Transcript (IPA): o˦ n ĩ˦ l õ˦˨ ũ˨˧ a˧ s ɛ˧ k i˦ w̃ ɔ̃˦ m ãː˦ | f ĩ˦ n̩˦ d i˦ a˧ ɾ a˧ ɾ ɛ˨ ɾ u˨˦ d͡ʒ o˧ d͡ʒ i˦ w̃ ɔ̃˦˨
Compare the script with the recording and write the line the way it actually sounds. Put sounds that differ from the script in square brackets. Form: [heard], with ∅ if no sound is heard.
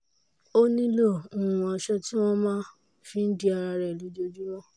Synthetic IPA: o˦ n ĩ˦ l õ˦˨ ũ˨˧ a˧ [ʃ] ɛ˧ [t] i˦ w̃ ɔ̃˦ m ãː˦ | f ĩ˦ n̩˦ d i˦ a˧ ɾ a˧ ɾ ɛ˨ [l] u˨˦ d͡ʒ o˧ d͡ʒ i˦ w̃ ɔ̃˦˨